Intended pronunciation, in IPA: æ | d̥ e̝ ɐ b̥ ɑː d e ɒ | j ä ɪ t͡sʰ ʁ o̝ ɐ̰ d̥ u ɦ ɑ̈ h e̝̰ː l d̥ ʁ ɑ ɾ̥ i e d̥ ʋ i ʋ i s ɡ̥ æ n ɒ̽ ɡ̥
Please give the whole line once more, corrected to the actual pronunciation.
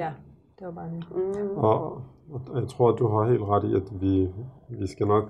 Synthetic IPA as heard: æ | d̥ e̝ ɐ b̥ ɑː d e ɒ | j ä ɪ t͡sʰ ʁ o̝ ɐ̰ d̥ u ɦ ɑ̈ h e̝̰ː l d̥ ʁ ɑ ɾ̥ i æ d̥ ʋ i ʋ i s ɡ̥ æ n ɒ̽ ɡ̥